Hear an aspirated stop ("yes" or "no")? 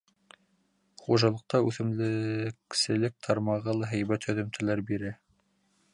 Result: yes